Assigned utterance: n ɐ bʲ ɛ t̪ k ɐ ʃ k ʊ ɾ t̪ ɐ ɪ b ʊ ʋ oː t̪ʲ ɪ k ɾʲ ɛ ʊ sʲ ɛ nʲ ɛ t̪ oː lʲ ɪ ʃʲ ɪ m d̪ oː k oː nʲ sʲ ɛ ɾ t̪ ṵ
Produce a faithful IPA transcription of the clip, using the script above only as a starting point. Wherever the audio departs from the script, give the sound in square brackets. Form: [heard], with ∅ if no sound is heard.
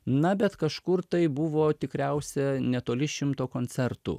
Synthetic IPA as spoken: n ɐ bʲ ɛ t̪ k ɐ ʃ k ʊ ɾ t̪ ɐ ɪ b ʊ ʋ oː t̪ʲ ɪ k ɾʲ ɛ ʊ sʲ ɛ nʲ ɛ t̪ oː lʲ ɪ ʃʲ ɪ m [t̪] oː k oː nʲ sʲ ɛ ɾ t̪ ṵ